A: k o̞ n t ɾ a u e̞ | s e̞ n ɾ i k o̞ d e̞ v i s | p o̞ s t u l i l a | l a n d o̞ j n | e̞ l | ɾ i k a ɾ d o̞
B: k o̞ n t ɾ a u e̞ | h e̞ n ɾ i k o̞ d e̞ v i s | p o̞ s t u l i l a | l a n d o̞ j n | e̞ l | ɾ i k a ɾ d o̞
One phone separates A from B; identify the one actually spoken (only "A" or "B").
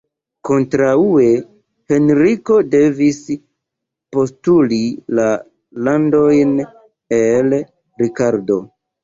B